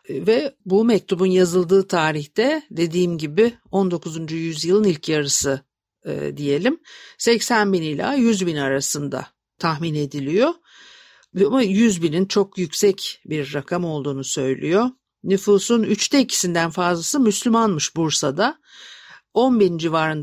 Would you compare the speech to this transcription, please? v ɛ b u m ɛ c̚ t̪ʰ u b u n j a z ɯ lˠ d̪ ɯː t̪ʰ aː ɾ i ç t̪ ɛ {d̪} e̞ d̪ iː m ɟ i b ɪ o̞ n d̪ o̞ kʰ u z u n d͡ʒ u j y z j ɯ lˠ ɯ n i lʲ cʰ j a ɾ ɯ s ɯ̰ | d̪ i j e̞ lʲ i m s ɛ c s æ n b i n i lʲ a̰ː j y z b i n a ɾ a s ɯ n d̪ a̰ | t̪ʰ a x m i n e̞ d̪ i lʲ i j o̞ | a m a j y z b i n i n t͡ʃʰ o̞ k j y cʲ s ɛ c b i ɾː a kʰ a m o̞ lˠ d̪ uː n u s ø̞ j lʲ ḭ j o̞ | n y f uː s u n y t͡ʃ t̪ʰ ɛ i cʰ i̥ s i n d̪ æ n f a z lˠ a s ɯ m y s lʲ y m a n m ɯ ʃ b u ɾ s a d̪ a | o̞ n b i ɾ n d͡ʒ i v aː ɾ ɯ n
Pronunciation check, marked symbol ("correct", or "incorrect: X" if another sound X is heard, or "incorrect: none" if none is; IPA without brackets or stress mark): correct